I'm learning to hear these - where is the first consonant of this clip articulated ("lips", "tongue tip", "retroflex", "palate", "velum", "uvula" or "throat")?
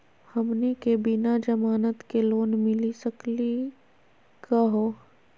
throat